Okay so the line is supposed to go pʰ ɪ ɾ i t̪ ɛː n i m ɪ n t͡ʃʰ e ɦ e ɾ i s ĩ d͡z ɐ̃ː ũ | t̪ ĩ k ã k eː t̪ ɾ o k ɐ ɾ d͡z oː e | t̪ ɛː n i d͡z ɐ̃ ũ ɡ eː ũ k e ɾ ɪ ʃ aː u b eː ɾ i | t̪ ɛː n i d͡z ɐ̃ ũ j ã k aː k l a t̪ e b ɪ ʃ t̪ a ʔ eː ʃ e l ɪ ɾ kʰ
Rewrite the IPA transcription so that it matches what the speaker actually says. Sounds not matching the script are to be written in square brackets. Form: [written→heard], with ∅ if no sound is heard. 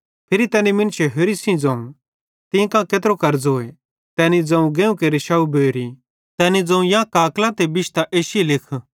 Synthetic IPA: pʰ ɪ ɾ i t̪ ɛː n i m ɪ n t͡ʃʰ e ɦ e ɾ i s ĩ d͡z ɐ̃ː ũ | t̪ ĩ k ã k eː t̪ ɾ o k ɐ ɾ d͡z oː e | t̪ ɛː n i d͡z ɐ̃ ũ ɡ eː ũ k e ɾ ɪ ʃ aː u b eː ɾ i | t̪ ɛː n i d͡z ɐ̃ ũ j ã k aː k l a t̪ e b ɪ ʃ t̪ a ʔ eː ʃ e l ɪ [ɾ→∅] kʰ